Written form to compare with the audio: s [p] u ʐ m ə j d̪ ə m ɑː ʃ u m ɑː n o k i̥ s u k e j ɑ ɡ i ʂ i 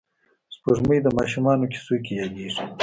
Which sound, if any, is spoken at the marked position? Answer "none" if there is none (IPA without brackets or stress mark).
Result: p